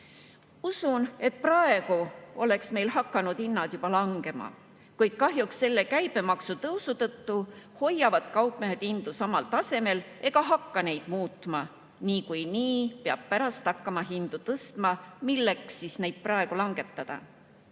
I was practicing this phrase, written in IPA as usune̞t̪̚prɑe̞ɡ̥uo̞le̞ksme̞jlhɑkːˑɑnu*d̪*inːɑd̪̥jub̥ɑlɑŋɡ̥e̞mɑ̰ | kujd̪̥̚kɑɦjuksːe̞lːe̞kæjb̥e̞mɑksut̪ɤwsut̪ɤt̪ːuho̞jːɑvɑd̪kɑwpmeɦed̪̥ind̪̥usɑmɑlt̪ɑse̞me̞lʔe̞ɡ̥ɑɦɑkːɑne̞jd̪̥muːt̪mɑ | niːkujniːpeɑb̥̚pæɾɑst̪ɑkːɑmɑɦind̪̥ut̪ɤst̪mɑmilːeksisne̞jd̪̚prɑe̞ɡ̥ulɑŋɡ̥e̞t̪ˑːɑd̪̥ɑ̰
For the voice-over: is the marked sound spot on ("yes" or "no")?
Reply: yes